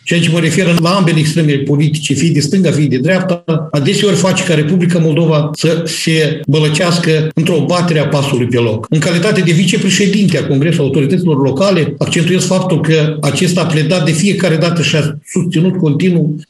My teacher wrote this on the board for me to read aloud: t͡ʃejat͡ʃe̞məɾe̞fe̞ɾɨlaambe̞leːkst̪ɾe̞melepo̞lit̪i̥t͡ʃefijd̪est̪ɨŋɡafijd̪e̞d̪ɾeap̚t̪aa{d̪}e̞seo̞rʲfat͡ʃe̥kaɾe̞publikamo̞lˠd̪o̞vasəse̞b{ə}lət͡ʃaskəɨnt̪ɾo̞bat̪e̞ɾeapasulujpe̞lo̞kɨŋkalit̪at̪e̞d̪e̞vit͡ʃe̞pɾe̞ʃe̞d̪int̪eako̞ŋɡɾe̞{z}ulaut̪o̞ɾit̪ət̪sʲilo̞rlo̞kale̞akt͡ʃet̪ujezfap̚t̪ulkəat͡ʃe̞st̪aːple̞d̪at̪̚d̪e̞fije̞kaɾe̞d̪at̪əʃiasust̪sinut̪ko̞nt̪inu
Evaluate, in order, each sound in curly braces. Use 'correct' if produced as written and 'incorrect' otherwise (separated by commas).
correct, correct, incorrect